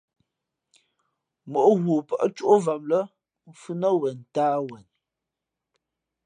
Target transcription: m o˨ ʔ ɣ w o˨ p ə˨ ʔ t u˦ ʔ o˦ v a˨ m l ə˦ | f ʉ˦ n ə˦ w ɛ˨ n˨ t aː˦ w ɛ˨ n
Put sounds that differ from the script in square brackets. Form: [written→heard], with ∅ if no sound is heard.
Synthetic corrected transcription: m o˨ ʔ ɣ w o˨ p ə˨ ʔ [t→t͡ʃ] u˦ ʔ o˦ v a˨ m l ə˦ | f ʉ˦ n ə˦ w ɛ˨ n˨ t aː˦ w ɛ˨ n